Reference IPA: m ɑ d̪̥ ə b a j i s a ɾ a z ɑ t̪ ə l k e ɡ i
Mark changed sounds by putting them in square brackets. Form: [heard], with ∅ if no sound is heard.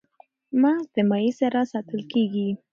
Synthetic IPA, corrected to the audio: m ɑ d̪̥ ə [m] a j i s a ɾ a [s] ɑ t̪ ə l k e ɡ i